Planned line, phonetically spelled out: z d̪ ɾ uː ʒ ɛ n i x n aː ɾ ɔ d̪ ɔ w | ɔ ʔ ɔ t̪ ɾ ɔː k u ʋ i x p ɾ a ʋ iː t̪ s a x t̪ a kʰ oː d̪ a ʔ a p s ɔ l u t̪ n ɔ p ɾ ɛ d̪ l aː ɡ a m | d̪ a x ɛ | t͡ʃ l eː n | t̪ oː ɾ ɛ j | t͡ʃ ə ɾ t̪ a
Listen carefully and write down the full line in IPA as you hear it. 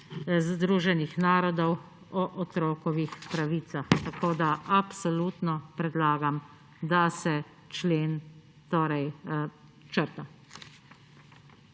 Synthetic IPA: z d̪ ɾ uː ʒ ɛ n i x n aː ɾ ɔ d̪ ɔ w | ɔ ʔ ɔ t̪ ɾ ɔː k ɔ ʋ i x p ɾ a ʋ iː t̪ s a x t̪ a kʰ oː d̪ a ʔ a p s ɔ l u t̪ n ɔ p ɾ ɛ d̪ l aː ɡ a m | d̪ a s ɛ | t͡ʃ l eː n | t̪ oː ɾ ɛ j | t͡ʃ ə ɾ t̪ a